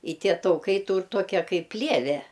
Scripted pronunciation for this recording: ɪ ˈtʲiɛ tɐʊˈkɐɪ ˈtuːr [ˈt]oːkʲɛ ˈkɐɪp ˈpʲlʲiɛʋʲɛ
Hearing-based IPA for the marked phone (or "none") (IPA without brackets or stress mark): t